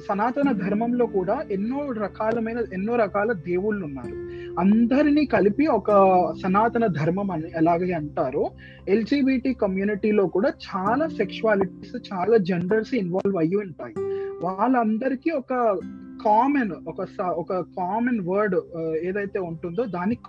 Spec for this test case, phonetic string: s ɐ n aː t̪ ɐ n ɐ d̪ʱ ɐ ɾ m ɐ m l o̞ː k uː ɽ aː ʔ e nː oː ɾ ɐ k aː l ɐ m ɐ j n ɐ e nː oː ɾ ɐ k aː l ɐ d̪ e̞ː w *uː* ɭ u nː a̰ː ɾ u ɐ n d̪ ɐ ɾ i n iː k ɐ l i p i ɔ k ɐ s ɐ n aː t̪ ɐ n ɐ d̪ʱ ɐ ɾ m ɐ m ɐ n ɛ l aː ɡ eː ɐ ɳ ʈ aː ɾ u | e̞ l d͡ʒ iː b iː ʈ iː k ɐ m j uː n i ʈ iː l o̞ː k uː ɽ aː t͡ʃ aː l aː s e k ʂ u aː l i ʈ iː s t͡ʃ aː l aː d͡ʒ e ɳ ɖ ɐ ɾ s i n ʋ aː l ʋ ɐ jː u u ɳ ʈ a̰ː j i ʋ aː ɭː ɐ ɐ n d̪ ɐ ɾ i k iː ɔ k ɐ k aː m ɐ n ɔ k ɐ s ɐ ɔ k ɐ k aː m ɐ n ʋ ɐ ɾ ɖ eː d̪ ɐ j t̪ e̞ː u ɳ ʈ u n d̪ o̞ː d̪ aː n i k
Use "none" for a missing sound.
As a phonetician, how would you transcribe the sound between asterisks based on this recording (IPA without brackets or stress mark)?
u